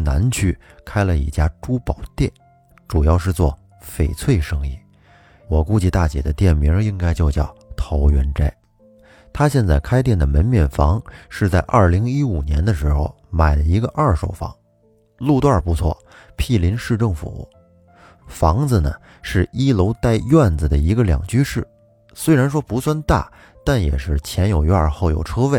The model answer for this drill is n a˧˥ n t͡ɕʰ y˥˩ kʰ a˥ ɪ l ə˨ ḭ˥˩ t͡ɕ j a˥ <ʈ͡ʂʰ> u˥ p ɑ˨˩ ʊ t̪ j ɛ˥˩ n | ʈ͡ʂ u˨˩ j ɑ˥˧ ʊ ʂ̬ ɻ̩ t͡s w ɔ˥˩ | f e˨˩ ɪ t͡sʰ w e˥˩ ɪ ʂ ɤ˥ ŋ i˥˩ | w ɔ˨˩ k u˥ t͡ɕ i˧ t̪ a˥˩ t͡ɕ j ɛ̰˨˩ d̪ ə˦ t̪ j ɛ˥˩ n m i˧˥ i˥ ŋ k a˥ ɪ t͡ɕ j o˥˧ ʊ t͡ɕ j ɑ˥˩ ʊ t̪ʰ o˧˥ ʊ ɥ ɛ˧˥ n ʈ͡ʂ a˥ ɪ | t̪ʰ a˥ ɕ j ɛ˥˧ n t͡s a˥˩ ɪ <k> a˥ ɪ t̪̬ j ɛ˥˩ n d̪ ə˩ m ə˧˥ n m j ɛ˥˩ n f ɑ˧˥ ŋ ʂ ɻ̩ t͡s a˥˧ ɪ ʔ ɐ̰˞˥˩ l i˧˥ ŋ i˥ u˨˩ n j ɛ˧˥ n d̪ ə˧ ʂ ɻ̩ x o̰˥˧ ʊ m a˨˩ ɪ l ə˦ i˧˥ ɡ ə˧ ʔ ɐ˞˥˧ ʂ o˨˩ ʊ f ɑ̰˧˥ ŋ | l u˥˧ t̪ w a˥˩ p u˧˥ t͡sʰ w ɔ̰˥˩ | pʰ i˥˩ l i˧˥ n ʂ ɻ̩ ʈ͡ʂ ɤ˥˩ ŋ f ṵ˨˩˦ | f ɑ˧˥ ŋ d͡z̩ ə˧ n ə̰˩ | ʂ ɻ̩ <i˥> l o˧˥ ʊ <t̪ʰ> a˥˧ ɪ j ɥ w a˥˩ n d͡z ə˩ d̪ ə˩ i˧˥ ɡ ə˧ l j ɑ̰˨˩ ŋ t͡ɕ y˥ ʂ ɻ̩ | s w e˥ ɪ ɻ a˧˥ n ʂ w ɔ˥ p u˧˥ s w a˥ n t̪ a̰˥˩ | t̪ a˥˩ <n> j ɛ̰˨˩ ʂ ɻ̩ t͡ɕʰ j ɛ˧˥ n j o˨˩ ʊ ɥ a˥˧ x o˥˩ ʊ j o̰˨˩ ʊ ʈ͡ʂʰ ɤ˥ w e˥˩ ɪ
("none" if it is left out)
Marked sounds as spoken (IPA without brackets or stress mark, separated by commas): ʈ͡ʂ, kʰ, i˥, t̪, n